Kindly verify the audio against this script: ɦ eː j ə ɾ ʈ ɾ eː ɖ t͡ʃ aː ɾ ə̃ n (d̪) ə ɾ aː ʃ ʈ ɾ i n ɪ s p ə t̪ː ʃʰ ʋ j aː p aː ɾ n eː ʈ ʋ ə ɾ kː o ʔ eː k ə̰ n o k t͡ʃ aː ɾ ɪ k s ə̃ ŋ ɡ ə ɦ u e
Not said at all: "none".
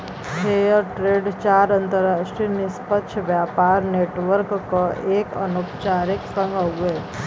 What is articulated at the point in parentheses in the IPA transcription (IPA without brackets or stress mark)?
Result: t̪